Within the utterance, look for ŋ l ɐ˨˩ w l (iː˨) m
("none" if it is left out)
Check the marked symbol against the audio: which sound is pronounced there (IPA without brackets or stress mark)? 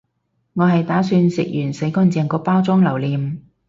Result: iː˨